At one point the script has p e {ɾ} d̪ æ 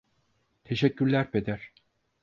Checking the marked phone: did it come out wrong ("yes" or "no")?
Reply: yes